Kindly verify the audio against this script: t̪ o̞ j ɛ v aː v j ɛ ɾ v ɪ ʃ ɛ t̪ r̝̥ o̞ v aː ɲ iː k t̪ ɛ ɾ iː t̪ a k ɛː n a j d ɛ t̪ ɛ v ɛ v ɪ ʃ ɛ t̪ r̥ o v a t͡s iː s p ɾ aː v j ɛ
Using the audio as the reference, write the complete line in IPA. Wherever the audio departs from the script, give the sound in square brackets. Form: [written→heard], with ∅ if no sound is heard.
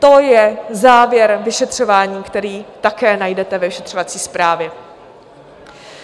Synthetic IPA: t̪ o̞ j ɛ [v→z] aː v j ɛ ɾ v ɪ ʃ ɛ t̪ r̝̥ o̞ v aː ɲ iː k t̪ ɛ ɾ iː t̪ a k ɛː n a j d ɛ t̪ ɛ v ɛ v ɪ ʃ ɛ t̪ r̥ o v a t͡s iː s p ɾ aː v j ɛ